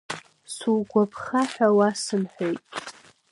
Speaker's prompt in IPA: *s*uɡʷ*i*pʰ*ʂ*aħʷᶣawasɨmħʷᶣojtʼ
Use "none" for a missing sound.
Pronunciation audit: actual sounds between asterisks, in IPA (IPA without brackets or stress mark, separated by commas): s, a, χ